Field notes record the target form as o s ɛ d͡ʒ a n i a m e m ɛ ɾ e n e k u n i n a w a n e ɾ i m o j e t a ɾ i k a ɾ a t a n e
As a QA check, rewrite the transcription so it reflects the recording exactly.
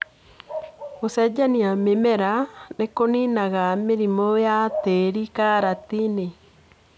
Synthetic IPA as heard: o s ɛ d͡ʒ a n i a m e m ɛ ɾ a n e k o n i n a ɣ a m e ɾ i m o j a t e ɾ i k a ɾ a t i n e